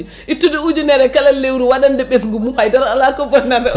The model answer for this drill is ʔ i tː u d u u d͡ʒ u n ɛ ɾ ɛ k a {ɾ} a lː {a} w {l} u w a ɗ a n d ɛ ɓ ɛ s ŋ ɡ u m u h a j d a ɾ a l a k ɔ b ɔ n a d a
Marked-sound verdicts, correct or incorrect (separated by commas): incorrect, incorrect, incorrect